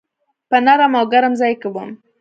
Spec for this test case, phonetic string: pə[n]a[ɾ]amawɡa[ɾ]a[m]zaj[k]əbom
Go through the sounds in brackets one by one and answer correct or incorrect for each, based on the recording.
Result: correct, correct, correct, correct, correct

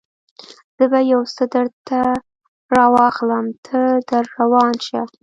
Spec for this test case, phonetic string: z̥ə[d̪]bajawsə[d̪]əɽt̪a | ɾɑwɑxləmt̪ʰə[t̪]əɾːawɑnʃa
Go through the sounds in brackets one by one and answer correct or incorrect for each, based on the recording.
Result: incorrect, correct, incorrect

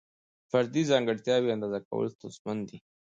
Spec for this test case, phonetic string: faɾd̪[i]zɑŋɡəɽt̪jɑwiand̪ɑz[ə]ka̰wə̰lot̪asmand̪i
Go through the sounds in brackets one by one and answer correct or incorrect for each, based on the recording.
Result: correct, incorrect

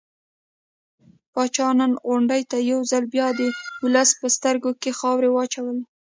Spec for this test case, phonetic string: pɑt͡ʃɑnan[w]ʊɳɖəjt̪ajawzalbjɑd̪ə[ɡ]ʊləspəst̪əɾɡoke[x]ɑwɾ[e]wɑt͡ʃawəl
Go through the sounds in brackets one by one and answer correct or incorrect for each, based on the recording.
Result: incorrect, incorrect, correct, correct

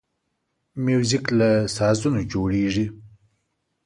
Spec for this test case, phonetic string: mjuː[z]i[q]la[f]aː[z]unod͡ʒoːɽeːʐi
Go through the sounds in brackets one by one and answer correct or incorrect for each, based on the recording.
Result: correct, incorrect, incorrect, correct

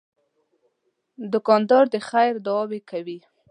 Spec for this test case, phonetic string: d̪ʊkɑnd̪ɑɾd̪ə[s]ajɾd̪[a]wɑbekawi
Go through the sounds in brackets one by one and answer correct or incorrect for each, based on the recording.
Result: incorrect, correct

